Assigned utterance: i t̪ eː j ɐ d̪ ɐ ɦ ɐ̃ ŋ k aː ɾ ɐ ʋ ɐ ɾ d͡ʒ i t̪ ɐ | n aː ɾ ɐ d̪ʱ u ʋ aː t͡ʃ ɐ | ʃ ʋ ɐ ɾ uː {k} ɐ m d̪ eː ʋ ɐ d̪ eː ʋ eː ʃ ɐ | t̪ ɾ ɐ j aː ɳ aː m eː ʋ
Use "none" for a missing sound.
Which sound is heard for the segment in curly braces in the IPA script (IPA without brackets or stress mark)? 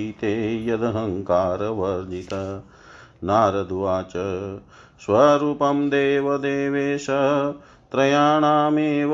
p